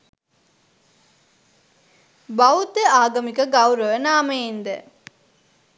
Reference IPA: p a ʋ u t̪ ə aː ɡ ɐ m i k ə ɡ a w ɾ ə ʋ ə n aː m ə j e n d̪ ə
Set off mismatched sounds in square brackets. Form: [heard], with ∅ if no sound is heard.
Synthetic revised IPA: [b] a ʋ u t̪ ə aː ɡ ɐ m i k ə ɡ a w ɾ ə ʋ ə n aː m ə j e n d̪ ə